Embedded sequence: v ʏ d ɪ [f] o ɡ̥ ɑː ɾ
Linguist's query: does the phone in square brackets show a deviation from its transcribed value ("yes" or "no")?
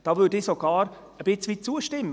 yes